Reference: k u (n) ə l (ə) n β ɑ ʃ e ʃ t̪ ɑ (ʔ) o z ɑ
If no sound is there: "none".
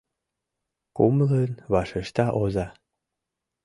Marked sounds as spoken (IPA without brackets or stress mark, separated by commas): m, ə, ʔ